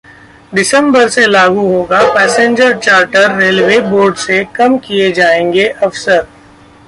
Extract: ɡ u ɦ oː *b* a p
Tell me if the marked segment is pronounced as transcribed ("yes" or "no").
no